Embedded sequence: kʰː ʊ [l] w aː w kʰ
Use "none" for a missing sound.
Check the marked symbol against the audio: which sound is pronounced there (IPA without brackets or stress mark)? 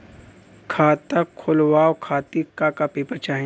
l